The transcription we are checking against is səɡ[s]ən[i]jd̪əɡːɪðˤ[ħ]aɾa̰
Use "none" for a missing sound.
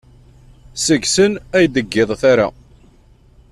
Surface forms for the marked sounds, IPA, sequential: s, æ, θ

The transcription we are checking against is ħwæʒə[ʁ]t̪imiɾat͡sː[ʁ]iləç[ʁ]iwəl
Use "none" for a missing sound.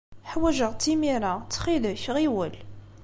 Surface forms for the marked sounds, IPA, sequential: ʁ, χ, ʁ

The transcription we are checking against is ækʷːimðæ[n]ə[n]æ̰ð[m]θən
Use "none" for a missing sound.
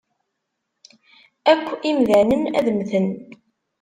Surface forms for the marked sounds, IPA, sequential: n, n, m

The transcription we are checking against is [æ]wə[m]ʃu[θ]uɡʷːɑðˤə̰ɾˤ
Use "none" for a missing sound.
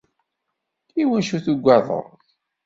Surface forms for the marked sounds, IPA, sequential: i, n, θ

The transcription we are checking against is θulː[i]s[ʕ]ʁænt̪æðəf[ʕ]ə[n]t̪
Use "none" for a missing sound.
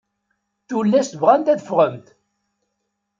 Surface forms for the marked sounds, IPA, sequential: æ, v, ʁ, m

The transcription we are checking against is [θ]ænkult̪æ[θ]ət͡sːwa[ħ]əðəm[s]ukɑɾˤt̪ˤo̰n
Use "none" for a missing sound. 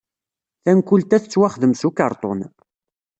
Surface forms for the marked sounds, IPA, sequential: θ, θ, χ, s

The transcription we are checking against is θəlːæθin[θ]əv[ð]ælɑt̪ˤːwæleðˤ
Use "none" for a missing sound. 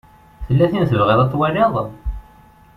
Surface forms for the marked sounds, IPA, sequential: θ, ʁ

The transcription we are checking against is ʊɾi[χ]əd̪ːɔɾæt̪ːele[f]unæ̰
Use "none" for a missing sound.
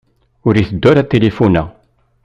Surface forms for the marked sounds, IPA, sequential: θ, f

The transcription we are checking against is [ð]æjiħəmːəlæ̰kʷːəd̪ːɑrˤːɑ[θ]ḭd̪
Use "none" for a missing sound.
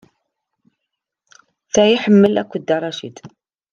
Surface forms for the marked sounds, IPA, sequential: θ, ʃ

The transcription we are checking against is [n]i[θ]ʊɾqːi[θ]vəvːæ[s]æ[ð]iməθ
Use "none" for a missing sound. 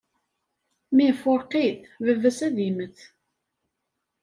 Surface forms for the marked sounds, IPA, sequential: m, f, θ, s, ð

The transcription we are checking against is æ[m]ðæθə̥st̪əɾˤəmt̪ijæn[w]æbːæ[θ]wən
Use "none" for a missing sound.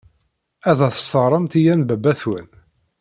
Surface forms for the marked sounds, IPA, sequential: none, b, θ

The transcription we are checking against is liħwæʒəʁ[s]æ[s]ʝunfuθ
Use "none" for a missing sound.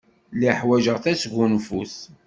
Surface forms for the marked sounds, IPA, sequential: θ, s

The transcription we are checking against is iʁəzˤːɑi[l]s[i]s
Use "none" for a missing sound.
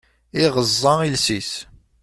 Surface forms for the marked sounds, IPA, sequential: l, i

